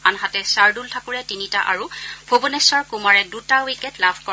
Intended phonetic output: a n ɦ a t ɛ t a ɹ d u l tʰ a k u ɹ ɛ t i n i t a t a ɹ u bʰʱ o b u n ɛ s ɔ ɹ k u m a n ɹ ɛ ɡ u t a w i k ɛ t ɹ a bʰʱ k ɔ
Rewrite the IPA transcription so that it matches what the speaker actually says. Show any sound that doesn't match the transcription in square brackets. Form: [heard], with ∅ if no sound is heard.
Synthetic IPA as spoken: a n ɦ a t ɛ [s] a ɹ d u l tʰ a k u ɹ ɛ t i n i t a [ʔ] a ɹ u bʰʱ o b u n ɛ s ɔ ɹ k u m a [∅] ɹ ɛ [d] u t a w i k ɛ t [l] a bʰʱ k ɔ